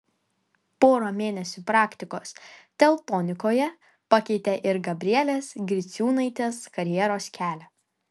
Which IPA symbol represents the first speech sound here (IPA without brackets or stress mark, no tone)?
p